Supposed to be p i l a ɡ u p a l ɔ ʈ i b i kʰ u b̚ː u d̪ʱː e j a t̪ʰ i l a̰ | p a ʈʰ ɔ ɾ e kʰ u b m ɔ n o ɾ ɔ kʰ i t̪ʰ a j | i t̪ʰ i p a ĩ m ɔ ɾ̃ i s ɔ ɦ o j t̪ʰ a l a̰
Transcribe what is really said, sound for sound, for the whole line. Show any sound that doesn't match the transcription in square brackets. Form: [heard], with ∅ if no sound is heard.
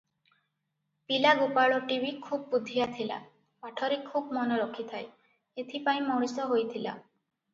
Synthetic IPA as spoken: p i l a ɡ u p a [ɭ] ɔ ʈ i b i kʰ u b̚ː u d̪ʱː [i] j a t̪ʰ i l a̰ | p a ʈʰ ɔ ɾ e kʰ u b m ɔ n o ɾ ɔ kʰ i t̪ʰ a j | [e] t̪ʰ i p a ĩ m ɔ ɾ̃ i s ɔ ɦ o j t̪ʰ [i] l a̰